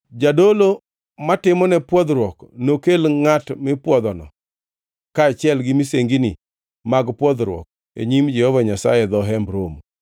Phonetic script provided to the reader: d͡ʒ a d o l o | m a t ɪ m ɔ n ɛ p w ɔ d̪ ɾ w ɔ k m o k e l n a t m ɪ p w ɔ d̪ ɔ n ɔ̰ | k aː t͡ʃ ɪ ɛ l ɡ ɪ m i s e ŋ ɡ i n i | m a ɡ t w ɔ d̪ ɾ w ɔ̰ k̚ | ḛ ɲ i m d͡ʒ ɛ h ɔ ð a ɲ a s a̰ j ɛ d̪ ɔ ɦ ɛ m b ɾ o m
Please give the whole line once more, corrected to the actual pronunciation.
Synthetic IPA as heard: d͡ʒ a d o l o | m a t ɪ m ɔ n ɛ p w ɔ d̪ ɾ w ɔ k n o k e l ŋ a t m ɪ p w ɔ d̪ ɔ n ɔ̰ | k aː t͡ʃ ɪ ɛ l ɡ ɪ m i s e ŋ ɡ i n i | m a ɡ p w ɔ d̪ ɾ w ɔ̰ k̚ | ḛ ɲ i m d͡ʒ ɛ h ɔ v a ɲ a s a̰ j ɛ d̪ ɔ ɦ ɛ m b ɾ o m